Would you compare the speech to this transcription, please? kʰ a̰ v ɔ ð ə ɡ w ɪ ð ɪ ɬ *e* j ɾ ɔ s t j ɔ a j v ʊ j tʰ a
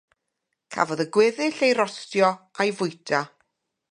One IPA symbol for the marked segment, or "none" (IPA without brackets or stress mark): e